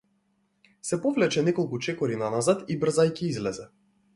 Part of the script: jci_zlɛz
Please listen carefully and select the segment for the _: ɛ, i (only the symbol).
i